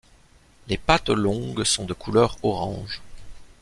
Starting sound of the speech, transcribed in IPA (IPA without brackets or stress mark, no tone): l